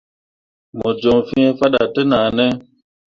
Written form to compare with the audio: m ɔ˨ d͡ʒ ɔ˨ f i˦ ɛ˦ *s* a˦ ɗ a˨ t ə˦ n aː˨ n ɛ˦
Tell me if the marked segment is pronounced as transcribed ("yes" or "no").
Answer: no